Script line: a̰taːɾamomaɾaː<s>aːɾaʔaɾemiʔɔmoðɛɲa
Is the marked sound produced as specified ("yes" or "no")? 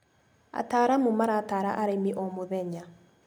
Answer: no